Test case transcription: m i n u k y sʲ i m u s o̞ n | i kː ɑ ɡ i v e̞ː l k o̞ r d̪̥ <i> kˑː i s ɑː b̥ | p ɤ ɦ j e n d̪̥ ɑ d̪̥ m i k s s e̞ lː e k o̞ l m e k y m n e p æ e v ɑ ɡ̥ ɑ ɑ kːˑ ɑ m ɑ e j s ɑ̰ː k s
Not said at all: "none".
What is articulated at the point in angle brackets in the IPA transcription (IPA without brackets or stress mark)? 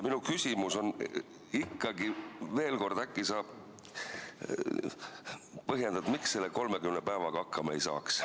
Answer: æ